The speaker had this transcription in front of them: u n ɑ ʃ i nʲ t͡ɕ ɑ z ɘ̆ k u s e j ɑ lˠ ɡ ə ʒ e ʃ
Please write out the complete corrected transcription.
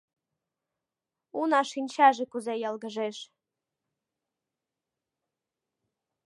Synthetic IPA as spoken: u n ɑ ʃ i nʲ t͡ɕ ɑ ʒ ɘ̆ k u z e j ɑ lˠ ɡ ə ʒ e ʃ